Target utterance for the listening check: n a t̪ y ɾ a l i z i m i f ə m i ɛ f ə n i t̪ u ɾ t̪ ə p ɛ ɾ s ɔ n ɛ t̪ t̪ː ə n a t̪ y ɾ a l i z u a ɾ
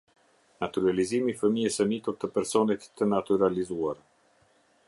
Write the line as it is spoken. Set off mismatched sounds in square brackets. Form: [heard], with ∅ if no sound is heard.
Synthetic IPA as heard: n a t̪ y ɾ a l i z i m i f ə m i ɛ [s] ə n i t̪ u ɾ t̪ ə p ɛ ɾ s ɔ n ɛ t̪ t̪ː ə n a t̪ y ɾ a l i z u a ɾ